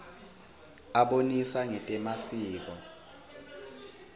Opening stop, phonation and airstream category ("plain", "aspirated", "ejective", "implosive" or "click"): implosive